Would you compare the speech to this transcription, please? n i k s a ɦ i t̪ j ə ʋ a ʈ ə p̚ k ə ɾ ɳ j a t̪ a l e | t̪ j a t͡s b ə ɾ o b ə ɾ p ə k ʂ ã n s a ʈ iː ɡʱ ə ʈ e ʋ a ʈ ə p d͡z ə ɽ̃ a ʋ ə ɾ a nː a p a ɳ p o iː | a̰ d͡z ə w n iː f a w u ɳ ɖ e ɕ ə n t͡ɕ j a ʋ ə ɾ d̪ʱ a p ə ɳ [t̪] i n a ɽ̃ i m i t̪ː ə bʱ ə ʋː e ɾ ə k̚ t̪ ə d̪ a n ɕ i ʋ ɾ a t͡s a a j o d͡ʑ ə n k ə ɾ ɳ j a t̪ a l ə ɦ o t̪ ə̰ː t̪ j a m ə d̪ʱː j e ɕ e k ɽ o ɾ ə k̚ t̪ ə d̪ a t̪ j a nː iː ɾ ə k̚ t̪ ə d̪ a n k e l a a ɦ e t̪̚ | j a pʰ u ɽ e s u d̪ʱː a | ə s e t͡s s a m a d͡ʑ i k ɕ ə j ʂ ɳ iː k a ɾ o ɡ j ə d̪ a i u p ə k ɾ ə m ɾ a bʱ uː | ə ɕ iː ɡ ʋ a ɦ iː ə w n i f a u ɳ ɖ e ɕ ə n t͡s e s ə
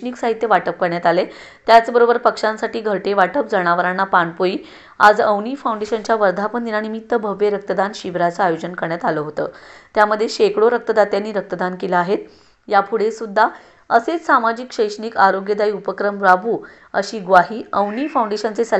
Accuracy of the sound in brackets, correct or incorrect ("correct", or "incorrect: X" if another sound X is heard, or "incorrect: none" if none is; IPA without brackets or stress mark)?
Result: incorrect: d̪